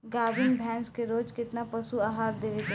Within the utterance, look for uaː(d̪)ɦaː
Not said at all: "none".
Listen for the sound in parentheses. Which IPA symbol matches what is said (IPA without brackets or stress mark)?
none